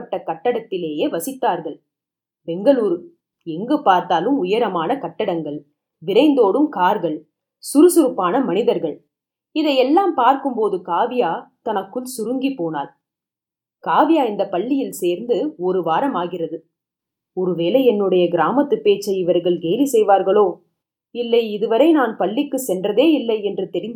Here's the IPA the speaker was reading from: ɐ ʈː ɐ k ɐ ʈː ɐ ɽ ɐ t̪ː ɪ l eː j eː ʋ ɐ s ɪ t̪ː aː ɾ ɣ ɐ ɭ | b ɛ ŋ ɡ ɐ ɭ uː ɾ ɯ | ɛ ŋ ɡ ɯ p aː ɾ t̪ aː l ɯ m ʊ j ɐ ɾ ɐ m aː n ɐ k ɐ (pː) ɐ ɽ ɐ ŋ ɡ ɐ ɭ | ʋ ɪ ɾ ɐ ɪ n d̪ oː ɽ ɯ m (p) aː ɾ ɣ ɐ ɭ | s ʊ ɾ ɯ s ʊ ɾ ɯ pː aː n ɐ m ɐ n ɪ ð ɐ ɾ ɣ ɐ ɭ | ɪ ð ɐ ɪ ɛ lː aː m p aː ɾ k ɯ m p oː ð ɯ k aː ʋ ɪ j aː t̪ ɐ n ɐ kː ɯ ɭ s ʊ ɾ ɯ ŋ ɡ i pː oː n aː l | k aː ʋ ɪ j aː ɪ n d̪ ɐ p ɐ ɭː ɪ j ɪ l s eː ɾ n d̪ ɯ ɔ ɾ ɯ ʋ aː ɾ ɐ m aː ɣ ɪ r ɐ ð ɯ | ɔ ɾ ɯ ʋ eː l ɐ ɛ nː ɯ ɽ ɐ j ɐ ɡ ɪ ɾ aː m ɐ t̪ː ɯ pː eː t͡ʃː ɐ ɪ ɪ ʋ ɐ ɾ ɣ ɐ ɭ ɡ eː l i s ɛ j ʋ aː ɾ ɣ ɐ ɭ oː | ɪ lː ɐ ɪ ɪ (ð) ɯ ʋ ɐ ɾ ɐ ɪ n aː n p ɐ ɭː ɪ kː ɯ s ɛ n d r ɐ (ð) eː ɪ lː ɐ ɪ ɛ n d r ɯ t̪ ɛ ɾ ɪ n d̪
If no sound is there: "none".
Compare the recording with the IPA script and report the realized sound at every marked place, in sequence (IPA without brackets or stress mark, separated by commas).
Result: ʈː, k, ð, ð